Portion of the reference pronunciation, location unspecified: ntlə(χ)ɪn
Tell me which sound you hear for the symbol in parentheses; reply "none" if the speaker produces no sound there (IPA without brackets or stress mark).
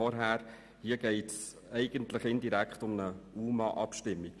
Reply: χ